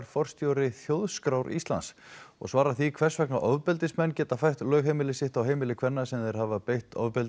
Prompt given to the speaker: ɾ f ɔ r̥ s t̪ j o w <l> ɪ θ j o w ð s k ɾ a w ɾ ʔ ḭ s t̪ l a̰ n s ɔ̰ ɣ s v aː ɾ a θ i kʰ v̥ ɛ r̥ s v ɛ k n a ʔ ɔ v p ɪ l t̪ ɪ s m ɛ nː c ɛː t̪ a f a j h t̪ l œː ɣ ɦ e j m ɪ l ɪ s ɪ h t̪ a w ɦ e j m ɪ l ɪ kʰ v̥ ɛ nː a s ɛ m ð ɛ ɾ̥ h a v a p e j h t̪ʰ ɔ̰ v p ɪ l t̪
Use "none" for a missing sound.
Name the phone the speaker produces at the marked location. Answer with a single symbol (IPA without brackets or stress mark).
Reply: ɾ